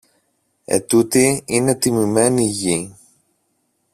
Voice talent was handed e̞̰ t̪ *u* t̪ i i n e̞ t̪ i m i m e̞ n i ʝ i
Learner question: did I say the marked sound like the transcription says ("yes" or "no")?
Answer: yes